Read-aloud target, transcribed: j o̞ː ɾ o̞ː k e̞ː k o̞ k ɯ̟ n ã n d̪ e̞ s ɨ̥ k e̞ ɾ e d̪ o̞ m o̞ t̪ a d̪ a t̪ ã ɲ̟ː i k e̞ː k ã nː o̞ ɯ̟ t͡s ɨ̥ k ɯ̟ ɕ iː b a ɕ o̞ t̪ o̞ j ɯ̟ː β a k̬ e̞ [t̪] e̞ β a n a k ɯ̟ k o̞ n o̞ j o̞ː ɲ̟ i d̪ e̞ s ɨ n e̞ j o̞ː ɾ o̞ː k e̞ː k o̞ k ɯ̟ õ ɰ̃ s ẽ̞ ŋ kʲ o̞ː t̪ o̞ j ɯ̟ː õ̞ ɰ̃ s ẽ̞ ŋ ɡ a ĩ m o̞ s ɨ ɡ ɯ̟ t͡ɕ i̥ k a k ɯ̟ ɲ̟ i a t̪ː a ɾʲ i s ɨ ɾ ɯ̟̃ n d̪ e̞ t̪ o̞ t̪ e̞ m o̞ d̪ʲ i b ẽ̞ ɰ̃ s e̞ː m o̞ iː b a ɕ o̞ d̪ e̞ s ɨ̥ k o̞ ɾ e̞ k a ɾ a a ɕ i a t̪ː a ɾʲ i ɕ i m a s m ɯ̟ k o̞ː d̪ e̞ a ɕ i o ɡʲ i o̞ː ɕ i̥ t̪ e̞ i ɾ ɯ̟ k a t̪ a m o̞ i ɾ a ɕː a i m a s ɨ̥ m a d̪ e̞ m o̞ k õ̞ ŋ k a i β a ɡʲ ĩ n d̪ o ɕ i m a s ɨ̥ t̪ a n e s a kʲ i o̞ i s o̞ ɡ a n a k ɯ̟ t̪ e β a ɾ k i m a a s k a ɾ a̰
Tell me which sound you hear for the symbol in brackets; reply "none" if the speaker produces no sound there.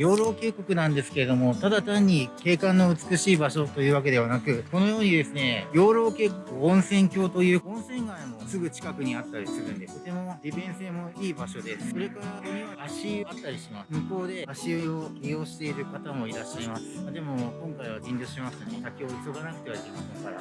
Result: d̪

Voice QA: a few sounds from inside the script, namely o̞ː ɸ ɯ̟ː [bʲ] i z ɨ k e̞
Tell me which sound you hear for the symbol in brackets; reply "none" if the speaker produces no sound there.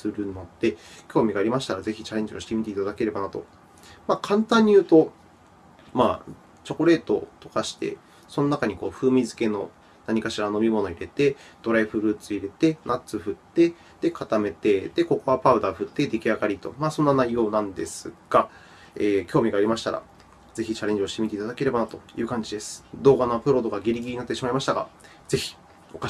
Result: mʲ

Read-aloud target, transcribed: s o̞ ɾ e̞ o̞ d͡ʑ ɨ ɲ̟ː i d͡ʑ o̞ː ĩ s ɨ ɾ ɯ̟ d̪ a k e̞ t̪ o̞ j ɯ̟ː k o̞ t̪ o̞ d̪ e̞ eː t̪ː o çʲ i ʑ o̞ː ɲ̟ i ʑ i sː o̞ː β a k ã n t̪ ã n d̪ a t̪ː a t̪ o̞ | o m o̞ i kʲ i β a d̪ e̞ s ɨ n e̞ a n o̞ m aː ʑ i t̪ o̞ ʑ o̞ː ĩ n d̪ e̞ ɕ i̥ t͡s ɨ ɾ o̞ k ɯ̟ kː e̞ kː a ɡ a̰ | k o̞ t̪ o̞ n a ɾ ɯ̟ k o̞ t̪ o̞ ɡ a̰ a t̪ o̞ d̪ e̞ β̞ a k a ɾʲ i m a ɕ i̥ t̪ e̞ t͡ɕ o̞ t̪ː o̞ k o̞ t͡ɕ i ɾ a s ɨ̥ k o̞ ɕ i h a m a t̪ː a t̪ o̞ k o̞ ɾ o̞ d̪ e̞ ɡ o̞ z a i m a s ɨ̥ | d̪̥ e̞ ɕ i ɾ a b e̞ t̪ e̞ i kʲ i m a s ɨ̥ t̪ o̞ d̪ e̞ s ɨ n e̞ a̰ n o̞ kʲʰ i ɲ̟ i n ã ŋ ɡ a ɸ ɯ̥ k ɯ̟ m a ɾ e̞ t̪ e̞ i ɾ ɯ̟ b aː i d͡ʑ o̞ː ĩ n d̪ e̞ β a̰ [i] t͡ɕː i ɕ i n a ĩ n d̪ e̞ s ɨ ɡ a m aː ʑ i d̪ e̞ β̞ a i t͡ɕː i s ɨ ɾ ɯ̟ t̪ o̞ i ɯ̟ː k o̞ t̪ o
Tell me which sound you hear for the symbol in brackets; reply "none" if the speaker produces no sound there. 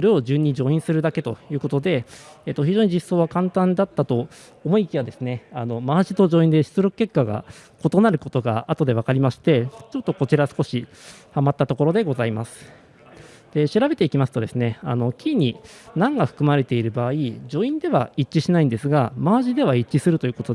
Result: i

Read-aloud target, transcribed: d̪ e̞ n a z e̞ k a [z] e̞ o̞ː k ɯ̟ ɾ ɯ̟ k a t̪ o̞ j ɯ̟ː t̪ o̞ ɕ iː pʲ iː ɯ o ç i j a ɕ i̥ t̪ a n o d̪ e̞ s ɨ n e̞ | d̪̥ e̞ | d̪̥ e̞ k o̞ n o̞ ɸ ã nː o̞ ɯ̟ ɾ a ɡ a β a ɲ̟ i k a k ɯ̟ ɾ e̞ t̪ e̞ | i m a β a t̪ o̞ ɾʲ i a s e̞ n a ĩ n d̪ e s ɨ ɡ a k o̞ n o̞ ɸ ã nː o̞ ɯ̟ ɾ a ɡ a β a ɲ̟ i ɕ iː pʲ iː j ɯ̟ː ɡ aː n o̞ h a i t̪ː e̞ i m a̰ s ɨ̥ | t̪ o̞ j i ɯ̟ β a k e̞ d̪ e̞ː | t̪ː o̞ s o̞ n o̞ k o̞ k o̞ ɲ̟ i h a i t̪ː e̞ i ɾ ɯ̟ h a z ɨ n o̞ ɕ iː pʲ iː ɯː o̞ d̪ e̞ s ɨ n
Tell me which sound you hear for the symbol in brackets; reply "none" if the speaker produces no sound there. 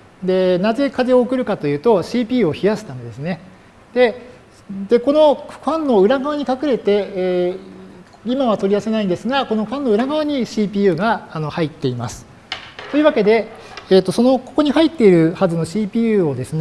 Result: z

